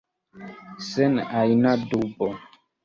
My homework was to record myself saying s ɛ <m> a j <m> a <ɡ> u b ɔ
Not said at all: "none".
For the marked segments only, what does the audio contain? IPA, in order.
n, n, d

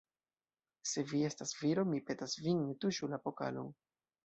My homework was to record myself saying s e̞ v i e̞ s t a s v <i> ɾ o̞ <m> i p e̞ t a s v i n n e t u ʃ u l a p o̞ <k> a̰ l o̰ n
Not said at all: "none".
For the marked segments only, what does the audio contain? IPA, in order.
i, m, k

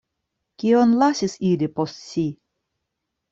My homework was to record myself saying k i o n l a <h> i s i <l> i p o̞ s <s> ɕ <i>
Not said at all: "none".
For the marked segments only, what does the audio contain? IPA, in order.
s, l, t, i

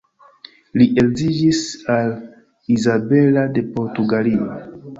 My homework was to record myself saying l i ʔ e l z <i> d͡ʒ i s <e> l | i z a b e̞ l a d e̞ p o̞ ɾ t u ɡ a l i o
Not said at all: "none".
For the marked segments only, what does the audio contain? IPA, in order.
i, a

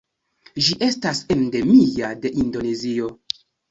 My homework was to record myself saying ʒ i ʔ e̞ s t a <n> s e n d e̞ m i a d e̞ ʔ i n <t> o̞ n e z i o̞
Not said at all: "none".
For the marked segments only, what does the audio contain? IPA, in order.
none, d

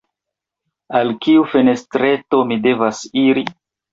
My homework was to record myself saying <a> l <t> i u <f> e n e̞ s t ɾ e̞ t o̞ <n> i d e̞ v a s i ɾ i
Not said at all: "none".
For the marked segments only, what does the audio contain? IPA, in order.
a, k, f, m

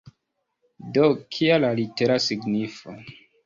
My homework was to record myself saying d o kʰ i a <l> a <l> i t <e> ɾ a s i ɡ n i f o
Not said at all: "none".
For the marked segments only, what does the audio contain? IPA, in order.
l, l, e

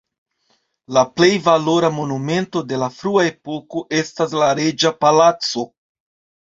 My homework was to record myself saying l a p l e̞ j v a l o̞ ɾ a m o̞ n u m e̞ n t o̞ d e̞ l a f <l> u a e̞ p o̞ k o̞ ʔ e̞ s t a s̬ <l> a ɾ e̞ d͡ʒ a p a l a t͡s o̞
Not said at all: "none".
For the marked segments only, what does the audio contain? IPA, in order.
ɾ, l

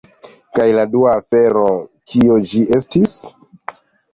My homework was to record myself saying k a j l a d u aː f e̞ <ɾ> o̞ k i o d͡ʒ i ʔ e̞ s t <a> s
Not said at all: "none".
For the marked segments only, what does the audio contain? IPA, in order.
ɾ, i

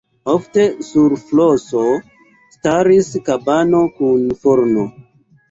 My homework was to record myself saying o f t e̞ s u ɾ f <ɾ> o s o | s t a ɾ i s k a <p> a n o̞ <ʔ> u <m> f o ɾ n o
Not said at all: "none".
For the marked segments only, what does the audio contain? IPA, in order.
l, b, k, n

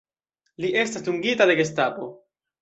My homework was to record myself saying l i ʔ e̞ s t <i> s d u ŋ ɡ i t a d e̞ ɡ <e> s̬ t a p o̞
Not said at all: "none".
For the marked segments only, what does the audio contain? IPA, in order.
a, e

